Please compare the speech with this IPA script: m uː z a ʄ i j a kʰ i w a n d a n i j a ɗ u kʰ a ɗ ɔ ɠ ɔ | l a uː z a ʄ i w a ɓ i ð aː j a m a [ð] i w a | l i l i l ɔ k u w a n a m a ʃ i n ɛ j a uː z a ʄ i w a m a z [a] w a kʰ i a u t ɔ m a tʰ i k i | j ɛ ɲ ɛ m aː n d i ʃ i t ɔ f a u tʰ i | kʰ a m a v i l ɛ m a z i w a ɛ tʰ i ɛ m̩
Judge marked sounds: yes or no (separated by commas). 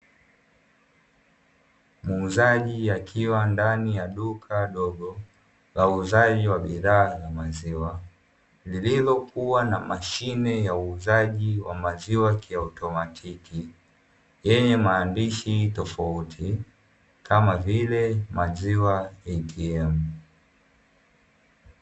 no, no